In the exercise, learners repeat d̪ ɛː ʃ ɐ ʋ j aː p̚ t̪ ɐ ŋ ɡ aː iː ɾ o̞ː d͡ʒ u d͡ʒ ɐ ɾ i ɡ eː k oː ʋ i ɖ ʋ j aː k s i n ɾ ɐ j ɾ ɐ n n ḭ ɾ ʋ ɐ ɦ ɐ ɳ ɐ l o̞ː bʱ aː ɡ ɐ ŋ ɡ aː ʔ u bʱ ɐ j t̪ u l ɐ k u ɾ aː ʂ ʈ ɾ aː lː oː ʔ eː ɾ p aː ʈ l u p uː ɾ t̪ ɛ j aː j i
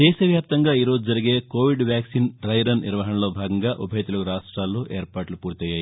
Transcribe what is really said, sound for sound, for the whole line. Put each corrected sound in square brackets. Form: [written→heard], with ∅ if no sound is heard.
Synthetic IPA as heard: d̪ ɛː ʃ ɐ ʋ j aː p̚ t̪ ɐ ŋ ɡ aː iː ɾ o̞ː d͡ʒ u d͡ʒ ɐ ɾ i ɡ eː k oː ʋ i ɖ ʋ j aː k s i n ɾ ɐ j ɾ ɐ n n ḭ ɾ ʋ ɐ ɦ ɐ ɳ ɐ l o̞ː bʱ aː ɡ ɐ ŋ ɡ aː ʔ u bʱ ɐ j t̪ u l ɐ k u ɾ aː ʂ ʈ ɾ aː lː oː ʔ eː ɾ p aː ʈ l u p uː ɾ t̪ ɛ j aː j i

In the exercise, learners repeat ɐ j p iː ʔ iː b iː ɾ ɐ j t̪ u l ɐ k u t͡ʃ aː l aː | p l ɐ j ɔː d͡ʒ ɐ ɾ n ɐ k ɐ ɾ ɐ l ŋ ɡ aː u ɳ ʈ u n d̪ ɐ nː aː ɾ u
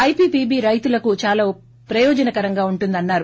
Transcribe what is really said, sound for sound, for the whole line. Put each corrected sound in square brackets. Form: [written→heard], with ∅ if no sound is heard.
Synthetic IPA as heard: ɐ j p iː [ʔ→p] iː b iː ɾ ɐ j t̪ u l ɐ k u t͡ʃ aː l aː | p [l→ɾ] ɐ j ɔː d͡ʒ ɐ [ɾ→∅] n ɐ k ɐ ɾ ɐ [l→∅] ŋ ɡ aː u ɳ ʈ u n d̪ ɐ nː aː ɾ u

